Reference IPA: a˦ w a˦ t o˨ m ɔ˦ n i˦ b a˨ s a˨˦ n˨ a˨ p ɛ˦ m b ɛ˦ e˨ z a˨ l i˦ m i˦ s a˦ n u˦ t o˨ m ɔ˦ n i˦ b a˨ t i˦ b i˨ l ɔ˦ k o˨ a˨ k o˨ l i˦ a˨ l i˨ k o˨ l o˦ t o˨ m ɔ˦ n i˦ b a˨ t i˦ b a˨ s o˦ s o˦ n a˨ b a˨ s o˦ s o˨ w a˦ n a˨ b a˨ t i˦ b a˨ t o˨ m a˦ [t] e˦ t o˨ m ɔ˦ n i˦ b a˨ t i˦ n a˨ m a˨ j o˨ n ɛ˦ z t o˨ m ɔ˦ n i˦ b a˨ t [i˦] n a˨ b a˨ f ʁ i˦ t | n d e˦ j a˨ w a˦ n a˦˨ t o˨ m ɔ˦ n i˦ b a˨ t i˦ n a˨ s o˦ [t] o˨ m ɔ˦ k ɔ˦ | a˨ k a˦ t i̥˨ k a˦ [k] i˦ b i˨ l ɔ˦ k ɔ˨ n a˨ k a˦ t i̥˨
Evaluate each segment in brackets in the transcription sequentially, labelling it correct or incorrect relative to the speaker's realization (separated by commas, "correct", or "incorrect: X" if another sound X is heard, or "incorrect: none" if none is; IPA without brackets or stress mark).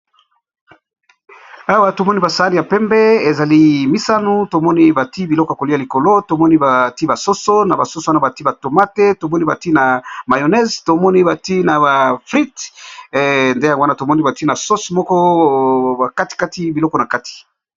correct, correct, incorrect: s, incorrect: t